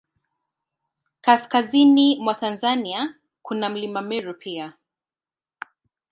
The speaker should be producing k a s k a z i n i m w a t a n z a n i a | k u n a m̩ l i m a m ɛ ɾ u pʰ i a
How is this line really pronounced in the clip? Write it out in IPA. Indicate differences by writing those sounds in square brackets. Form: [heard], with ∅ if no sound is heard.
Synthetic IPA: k a s k a z i n i m w a t a n z a n i a | k u n a m̩ l i m a m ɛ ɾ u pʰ i a